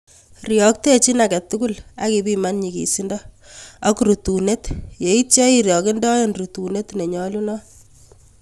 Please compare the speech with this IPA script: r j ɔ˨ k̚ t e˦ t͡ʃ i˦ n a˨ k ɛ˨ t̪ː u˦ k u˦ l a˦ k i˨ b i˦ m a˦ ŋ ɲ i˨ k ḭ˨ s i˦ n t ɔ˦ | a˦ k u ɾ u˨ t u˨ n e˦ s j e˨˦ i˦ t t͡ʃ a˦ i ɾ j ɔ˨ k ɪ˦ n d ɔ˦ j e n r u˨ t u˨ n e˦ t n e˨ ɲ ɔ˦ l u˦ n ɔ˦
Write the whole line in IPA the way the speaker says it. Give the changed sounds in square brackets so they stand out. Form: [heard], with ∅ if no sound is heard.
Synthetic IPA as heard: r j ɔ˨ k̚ t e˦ t͡ʃ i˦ n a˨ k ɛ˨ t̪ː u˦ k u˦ l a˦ k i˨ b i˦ m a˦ [n] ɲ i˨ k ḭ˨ s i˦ n [d] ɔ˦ | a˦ k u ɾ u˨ t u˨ n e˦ [t] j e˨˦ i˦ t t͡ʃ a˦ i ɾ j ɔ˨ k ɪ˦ n d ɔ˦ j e n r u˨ t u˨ n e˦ t n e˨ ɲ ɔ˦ l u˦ n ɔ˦

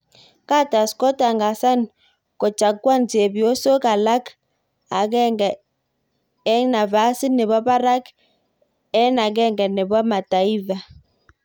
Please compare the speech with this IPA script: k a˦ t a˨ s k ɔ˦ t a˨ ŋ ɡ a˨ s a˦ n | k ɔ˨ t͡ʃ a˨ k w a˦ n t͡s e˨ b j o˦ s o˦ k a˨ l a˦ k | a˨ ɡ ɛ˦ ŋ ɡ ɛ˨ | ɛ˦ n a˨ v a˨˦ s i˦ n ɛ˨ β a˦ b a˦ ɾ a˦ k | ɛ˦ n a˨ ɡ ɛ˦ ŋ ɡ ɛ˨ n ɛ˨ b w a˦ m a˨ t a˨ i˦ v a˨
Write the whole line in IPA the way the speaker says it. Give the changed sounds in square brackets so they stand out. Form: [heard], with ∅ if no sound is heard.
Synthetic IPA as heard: k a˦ t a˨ s k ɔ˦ t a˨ ŋ ɡ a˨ s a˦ n | k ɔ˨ t͡ʃ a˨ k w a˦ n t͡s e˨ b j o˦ s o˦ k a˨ l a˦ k | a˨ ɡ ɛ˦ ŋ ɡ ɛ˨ | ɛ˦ n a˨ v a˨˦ s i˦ n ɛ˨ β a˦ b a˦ ɾ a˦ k | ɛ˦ n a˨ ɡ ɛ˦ ŋ ɡ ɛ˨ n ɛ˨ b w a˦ m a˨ t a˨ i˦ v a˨

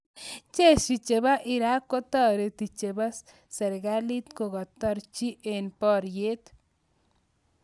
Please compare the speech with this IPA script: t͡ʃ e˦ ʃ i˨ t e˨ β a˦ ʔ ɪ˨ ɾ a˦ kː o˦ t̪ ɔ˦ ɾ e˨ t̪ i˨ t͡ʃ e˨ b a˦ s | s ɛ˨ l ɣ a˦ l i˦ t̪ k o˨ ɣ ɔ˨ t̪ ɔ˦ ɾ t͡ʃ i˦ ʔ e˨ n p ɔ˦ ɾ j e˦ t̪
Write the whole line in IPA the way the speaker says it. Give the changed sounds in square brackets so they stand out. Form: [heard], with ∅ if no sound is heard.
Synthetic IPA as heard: t͡ʃ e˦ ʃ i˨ [t͡ʃ] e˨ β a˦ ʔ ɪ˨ ɾ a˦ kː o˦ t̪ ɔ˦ ɾ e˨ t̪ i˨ t͡ʃ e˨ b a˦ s | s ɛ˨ [ɾ] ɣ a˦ l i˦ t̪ k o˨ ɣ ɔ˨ t̪ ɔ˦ ɾ t͡ʃ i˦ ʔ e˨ n p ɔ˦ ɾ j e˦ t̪

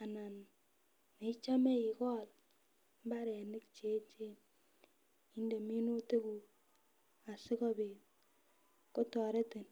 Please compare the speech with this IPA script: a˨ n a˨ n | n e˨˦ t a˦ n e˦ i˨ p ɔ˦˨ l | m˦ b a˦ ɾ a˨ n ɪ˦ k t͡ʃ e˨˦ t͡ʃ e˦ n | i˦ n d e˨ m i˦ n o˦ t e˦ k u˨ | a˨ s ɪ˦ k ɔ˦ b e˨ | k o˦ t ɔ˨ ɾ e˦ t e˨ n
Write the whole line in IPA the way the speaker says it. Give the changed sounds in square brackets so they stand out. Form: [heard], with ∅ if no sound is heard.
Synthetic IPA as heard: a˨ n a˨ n | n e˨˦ [t͡ʃ] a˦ [m] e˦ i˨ [k] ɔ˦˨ l | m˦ b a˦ ɾ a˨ n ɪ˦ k t͡ʃ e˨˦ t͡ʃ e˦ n | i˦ n d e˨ m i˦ n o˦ t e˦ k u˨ | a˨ s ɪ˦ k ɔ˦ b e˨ | k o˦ t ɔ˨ ɾ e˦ t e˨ n

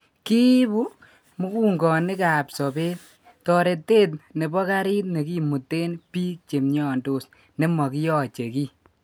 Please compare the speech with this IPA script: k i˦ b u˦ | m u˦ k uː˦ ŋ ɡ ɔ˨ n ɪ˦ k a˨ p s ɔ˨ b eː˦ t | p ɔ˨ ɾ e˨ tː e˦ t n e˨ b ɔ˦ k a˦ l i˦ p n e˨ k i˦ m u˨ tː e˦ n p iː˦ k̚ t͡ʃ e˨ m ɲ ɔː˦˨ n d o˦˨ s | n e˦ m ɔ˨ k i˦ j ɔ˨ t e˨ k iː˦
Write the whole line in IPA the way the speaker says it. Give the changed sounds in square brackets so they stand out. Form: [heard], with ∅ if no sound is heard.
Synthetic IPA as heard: k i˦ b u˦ | m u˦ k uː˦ ŋ ɡ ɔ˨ n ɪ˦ k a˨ p s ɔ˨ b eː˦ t | [t] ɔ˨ ɾ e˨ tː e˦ t n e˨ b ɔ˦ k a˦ [ɾ] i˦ [t] n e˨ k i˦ m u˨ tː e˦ n p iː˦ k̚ t͡ʃ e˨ m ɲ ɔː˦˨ n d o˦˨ s | n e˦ m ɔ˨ k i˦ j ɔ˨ [t͡ʃ] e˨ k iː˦

